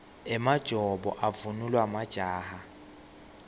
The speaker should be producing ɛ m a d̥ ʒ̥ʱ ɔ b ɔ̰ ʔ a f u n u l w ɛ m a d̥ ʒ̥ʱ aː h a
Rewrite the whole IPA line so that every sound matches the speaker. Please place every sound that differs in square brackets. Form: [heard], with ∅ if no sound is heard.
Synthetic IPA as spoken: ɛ m a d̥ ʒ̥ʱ ɔ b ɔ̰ ʔ a [v] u n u l w [a] m a d̥ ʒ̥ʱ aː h a